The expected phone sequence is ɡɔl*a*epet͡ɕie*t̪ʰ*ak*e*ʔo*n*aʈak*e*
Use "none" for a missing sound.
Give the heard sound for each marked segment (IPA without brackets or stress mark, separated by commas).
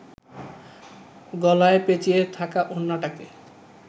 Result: a, t̪ʰ, a, nː, e